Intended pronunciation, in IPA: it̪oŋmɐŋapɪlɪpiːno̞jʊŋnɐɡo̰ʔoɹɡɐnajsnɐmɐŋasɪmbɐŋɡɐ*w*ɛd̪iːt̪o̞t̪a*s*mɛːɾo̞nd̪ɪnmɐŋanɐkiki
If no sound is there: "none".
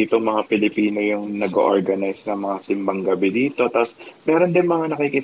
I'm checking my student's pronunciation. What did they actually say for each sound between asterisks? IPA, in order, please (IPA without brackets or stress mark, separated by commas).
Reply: b, s